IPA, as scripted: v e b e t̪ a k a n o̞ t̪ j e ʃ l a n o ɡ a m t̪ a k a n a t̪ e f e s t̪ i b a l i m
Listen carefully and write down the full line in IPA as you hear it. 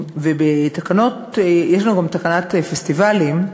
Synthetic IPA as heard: v e b e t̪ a k a n o̞ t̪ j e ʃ l a n u ɡ a m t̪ a k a n a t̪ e f e s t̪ i v a l i m